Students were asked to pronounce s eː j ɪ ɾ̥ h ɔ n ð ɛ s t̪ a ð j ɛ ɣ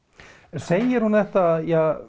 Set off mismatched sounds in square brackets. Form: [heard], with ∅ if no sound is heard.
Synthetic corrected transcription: s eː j ɪ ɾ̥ h [u] n ð ɛ [h] t̪ a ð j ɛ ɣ